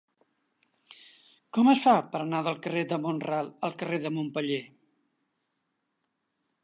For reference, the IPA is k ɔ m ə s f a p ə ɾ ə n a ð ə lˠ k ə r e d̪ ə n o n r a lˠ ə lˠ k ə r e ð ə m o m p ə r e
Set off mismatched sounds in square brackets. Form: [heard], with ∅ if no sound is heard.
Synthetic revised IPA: k ɔ m ə s f a p ə ɾ ə n a ð ə lˠ k ə r e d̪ ə [m] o n r a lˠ ə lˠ k ə r e ð ə m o m p ə [ʎ] e